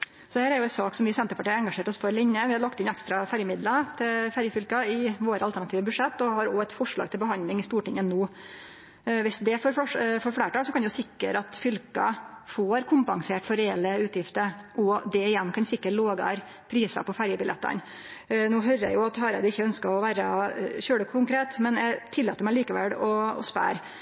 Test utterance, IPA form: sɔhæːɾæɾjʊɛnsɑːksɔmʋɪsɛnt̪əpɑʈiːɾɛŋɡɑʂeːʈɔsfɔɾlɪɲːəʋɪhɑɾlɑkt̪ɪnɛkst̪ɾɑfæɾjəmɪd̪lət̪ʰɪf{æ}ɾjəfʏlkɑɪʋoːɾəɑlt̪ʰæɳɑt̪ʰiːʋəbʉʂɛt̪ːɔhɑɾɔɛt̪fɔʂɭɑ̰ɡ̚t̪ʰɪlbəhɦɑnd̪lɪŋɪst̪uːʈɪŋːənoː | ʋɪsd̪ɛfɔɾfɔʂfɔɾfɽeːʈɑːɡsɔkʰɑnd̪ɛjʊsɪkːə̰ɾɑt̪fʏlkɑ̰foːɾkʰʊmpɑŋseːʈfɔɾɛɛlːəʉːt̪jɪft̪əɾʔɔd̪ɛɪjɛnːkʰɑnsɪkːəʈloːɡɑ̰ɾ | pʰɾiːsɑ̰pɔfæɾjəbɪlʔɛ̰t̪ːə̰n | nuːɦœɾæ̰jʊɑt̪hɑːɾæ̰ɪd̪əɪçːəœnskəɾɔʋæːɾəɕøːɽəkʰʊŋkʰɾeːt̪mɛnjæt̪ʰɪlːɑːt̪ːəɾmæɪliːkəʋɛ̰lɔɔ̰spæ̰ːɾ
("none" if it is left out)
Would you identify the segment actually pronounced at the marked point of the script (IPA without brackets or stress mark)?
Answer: æ